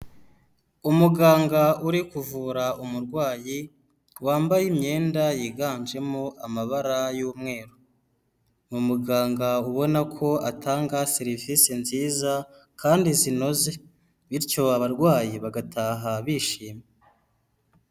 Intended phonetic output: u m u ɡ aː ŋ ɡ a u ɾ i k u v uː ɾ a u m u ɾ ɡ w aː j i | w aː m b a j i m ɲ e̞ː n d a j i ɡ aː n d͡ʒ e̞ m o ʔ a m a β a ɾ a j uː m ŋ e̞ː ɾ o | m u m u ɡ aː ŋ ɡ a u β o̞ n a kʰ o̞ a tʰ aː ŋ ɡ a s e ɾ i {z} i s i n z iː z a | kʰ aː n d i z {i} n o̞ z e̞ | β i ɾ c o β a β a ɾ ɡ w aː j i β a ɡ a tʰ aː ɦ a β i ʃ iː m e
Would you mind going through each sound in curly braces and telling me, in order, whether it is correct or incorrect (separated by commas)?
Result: incorrect, correct